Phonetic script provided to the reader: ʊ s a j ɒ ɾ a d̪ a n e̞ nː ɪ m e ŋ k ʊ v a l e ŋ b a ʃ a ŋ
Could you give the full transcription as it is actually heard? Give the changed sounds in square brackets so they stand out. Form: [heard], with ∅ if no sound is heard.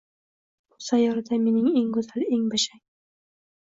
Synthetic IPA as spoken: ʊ s a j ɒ ɾ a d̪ a [m] e̞ [n] ɪ [ŋ] e ŋ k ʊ [z] a l e ŋ b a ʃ a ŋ